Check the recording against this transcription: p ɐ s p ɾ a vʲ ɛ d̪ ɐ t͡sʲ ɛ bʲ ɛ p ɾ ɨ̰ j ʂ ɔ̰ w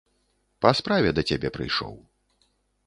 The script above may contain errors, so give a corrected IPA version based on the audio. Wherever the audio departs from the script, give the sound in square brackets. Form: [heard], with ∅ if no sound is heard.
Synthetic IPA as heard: p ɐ s p ɾ a vʲ ɛ d̪ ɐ t͡sʲ [a] bʲ ɛ p ɾ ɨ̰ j ʂ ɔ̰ w